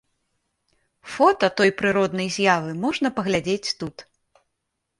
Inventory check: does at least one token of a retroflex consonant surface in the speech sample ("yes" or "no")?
yes